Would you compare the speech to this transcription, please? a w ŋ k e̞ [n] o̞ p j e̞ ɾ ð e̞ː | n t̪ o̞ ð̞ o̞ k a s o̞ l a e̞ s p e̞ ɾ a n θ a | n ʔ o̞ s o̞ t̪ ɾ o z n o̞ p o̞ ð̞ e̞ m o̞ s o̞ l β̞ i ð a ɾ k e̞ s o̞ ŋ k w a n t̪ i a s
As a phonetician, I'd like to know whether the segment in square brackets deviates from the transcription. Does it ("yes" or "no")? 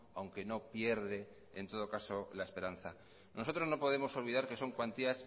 no